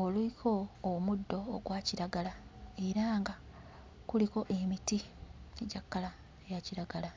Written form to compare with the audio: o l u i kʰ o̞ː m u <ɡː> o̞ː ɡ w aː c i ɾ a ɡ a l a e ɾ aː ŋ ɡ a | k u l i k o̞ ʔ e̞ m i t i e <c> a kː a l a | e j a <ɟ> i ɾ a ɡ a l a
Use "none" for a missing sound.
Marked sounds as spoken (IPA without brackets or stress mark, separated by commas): dː, ɟ, c